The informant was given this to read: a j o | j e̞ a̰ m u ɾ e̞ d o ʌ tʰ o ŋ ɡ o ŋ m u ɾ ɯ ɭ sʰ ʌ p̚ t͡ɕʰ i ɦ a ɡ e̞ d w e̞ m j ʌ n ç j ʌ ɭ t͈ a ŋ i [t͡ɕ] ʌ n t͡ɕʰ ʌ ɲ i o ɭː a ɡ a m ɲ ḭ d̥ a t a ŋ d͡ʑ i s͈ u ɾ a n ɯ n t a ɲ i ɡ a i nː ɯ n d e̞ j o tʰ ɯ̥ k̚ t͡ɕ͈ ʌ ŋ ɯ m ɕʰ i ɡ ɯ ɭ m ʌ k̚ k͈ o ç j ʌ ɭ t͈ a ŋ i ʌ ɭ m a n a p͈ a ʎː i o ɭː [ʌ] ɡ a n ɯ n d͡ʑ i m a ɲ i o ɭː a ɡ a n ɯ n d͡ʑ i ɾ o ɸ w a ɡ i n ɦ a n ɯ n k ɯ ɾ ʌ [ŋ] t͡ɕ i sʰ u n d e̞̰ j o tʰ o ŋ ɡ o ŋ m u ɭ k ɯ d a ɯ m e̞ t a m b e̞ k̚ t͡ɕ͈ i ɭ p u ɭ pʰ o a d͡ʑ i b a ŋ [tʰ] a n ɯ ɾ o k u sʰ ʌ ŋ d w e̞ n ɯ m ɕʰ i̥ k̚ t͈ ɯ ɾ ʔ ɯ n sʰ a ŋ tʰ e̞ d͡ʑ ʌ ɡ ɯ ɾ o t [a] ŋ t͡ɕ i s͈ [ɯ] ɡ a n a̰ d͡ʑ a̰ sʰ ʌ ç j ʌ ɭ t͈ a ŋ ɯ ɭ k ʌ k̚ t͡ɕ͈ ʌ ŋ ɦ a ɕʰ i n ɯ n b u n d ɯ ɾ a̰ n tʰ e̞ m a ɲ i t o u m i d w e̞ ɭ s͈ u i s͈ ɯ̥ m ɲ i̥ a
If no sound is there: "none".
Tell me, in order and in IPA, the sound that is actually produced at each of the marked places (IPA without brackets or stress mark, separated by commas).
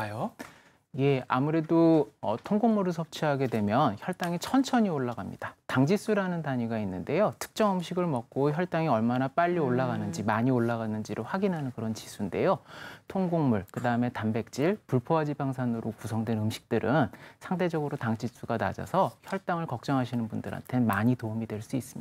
t͡ɕʰ, a, n, sʰ, a, u